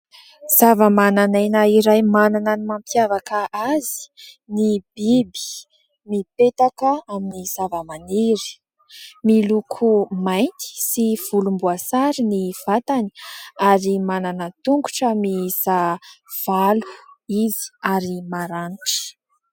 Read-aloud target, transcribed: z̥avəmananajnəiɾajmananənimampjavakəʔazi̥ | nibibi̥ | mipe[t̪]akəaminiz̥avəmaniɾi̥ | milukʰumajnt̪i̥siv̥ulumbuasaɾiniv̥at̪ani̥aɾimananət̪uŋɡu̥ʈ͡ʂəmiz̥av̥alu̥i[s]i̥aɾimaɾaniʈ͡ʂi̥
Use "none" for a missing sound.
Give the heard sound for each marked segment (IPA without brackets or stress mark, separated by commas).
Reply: t̪, z